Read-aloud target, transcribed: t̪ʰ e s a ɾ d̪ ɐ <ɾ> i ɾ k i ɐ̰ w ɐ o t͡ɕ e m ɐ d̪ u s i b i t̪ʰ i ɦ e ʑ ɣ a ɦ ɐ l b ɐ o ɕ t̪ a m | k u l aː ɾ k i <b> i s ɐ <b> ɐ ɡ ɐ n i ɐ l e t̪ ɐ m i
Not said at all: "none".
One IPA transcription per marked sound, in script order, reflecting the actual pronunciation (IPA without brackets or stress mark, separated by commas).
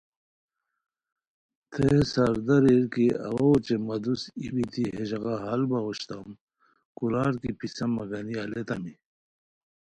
ɾ, p, m